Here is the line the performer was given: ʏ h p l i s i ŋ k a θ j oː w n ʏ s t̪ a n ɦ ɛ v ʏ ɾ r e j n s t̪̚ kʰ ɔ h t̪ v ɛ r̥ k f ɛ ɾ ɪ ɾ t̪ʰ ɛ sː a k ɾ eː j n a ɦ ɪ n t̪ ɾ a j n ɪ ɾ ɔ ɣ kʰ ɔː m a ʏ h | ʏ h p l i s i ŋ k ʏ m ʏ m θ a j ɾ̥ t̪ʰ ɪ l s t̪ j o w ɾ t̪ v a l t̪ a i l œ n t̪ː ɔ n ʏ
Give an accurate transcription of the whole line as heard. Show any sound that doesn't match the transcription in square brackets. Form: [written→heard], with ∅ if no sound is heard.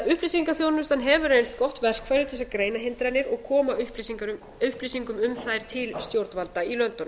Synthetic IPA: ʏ h p l i s i ŋ k a θ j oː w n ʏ s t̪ a n ɦ ɛ v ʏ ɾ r e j n s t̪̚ [kʰ→k] ɔ h t̪ v ɛ r̥ k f ɛ ɾ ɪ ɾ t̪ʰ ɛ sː a k ɾ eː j n a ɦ ɪ n t̪ ɾ a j n ɪ ɾ ɔ ɣ kʰ ɔː m a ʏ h | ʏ h p l i s i ŋ k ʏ m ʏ m θ a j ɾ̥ t̪ʰ ɪ l s t̪ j o w ɾ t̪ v a l t̪ a i l œ n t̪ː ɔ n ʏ

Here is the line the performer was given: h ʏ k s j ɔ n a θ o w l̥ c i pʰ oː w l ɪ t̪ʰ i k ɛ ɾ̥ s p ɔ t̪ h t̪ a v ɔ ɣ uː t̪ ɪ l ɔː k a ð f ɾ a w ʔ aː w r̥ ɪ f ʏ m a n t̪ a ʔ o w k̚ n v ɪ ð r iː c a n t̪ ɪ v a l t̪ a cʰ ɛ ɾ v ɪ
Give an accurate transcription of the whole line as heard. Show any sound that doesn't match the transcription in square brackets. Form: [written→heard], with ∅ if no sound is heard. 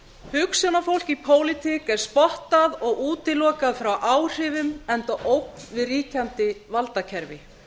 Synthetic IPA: h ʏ k s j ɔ n a [θ→f] o w l̥ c i pʰ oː w l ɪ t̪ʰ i k ɛ ɾ̥ s p ɔ [t̪→∅] h t̪ a [v→ð] ɔ ɣ uː t̪ ɪ l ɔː k a ð f ɾ a w ʔ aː w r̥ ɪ [f→v] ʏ m [a→ɛ] n t̪ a ʔ o w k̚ n v ɪ ð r iː c a n t̪ ɪ v a l t̪ a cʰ ɛ ɾ v ɪ

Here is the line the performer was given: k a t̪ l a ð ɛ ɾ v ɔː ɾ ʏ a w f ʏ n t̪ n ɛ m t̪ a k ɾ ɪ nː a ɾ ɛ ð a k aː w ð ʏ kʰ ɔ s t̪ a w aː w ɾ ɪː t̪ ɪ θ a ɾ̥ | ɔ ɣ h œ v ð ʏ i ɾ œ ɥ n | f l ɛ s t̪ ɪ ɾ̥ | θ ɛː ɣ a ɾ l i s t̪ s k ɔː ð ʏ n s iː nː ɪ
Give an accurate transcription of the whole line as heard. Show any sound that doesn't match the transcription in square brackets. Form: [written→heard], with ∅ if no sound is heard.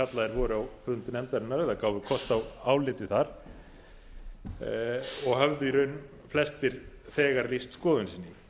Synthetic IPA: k a t̪ l a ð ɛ ɾ v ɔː ɾ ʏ a w f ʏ n t̪ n ɛ m t̪ a [k→∅] ɾ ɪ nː a ɾ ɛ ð a k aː w [ð→v] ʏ kʰ ɔ s t̪ a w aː w [ɾ→l] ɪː t̪ ɪ θ a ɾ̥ | ɔ ɣ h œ v ð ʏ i ɾ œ ɥ n | f l ɛ s t̪ ɪ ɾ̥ | θ ɛː ɣ a ɾ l i s t̪ s k ɔː ð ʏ n s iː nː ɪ

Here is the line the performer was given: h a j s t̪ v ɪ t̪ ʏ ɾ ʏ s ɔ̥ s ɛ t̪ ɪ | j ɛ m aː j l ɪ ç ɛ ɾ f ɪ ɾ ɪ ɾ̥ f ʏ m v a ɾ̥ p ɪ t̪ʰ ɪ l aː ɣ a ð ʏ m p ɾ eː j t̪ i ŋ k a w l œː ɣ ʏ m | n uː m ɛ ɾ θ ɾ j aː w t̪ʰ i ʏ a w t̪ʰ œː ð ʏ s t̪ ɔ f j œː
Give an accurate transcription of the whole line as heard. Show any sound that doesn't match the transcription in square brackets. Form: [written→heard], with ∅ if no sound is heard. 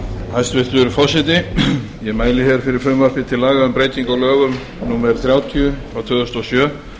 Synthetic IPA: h a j s t̪ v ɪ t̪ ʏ ɾ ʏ [s→f] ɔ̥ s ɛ t̪ ɪ | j ɛ m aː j l ɪ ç ɛ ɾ f ɪ ɾ ɪ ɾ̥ f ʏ m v a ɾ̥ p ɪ t̪ʰ ɪ l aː ɣ a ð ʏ m p ɾ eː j t̪ i ŋ k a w l œː ɣ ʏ m | n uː m ɛ ɾ θ ɾ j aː w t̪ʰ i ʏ a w t̪ʰ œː ð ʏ s t̪ ɔ [f→s] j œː

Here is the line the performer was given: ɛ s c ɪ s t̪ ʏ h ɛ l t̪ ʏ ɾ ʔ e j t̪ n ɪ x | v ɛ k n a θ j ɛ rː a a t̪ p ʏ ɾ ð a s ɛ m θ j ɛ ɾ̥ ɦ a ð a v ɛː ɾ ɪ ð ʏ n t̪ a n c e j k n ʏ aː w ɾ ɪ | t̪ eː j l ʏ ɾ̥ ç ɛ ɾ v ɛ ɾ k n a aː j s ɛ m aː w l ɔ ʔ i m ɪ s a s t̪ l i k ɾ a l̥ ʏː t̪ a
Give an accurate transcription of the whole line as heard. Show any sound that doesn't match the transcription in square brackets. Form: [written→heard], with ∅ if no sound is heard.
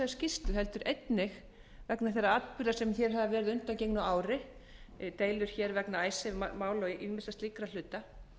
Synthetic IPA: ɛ s c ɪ s t̪ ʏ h ɛ l t̪ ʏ ɾ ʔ e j t̪ n ɪ x | v ɛ k n a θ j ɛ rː a a t̪ p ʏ ɾ ð a s ɛ m θ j ɛ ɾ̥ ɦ a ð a v ɛː ɾ ɪ ð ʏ n t̪ a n c e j k n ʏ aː w ɾ ɪ | t̪ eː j l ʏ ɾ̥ ç ɛ ɾ v ɛ [ɾ→∅] k n a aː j s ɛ m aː w l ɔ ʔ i m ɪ s a s t̪ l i k ɾ a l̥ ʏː t̪ a

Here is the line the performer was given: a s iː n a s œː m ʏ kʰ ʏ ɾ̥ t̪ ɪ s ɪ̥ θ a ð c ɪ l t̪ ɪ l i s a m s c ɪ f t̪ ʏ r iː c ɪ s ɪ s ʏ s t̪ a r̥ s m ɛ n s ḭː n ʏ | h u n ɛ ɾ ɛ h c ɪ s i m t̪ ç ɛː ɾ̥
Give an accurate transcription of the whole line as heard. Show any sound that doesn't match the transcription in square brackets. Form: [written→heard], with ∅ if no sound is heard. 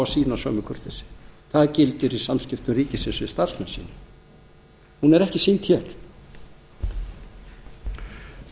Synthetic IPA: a s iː n a s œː m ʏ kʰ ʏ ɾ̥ t̪ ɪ s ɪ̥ θ a ð c ɪ l t̪ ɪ [l→ɾ] i s a m s c ɪ f t̪ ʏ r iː c ɪ s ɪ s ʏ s t̪ a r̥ s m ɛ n s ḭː n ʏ | h u n ɛ ɾ ɛ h c ɪ s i [m→n] t̪ ç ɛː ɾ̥

